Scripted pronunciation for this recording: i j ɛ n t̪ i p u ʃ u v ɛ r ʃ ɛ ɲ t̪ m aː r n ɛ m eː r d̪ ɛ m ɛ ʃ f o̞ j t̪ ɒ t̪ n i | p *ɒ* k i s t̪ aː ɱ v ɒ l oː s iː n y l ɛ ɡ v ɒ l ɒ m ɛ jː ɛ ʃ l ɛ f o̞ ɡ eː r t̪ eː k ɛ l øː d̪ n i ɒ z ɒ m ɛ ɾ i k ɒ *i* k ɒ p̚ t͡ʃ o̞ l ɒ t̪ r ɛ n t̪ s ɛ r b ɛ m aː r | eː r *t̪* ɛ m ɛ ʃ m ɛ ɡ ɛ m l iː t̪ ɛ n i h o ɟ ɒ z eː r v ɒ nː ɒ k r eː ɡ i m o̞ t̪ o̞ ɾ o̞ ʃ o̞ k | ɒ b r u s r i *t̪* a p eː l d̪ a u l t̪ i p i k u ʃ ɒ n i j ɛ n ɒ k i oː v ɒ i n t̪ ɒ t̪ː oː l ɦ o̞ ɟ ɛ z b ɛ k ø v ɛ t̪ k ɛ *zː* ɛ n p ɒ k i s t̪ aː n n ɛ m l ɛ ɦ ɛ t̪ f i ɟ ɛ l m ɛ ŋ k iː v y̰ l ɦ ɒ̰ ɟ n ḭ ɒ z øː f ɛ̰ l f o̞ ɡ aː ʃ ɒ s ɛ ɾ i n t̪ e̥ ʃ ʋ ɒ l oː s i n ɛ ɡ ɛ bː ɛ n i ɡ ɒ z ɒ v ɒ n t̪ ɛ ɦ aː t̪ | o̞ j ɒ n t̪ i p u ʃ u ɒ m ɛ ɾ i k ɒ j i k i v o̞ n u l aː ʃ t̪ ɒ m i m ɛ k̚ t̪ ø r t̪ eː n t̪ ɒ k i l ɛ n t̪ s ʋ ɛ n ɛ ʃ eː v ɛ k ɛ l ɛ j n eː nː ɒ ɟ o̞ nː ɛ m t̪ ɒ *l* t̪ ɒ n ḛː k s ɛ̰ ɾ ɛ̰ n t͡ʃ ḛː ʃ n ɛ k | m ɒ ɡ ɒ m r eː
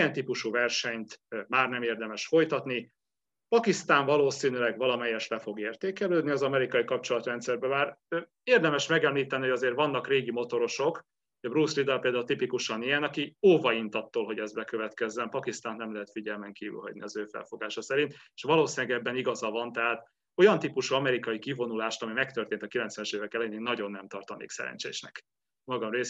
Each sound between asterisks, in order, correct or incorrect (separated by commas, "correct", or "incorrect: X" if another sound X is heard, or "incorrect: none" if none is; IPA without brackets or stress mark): correct, correct, incorrect: d̪, incorrect: d̪, correct, incorrect: r